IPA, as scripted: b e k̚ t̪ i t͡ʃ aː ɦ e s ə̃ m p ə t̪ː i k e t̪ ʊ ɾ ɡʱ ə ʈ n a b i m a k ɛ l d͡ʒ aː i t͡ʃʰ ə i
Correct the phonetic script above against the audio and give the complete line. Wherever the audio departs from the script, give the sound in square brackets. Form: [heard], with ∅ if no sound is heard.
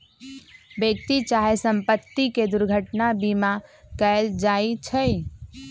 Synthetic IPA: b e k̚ t̪ i t͡ʃ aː ɦ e s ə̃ m p ə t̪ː i k e [d̪] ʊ ɾ ɡʱ ə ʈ n a b i m a k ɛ l d͡ʒ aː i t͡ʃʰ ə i